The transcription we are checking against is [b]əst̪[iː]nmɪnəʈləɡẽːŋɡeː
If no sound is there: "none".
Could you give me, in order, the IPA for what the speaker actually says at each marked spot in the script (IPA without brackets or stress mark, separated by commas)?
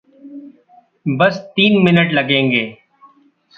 b, iː